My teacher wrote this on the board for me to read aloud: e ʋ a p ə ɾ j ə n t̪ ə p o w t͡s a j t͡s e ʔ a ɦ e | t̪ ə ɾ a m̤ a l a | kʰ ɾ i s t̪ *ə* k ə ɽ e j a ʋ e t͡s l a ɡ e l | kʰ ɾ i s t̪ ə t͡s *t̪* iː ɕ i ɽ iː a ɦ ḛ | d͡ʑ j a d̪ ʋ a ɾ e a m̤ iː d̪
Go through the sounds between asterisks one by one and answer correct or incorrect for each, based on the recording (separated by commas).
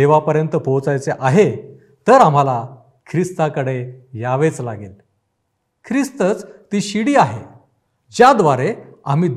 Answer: incorrect, correct